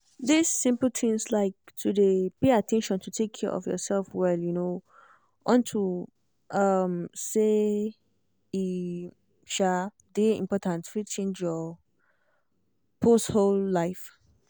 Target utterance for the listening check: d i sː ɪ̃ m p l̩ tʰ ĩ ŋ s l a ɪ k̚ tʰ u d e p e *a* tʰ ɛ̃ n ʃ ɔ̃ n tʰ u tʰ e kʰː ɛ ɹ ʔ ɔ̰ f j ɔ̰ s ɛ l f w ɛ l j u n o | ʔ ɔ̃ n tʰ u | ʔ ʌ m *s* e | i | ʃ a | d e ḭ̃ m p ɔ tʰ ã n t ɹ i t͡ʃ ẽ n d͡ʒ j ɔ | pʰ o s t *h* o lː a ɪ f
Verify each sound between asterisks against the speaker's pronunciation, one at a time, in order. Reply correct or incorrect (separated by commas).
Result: correct, correct, correct